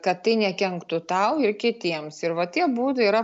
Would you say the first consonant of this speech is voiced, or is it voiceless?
voiceless